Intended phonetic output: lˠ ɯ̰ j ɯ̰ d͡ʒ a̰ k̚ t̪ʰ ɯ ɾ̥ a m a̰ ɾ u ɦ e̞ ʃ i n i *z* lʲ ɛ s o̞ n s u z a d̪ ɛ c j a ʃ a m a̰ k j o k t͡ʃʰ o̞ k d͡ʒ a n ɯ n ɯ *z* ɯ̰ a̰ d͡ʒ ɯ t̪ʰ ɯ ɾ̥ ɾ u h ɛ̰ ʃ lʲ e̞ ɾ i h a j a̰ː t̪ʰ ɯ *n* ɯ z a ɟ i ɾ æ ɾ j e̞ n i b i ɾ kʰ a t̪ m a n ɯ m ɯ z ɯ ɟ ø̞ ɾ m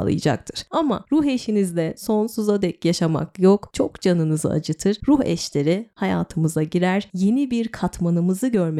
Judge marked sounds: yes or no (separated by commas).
yes, yes, no